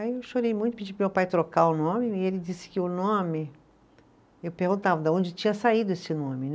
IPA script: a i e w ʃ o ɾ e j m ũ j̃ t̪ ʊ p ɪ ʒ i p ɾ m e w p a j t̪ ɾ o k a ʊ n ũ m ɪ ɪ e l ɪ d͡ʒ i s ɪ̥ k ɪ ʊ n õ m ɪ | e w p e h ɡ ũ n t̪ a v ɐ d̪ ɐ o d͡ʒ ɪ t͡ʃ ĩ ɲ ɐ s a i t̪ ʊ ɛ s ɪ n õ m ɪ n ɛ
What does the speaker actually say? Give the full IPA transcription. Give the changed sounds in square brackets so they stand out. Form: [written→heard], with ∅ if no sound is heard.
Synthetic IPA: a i e w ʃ o ɾ e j m ũ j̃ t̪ ʊ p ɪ [ʒ→d͡ʒ] i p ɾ m e w p a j t̪ ɾ o k a ʊ n [ũ→õ] m ɪ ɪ e l ɪ d͡ʒ i s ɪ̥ k ɪ ʊ n õ m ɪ | e w p e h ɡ ũ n t̪ a v ɐ d̪ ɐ [o→õ] d͡ʒ ɪ t͡ʃ ĩ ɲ ɐ s a i [t̪→d̪] ʊ [ɛ→e] s ɪ n õ m ɪ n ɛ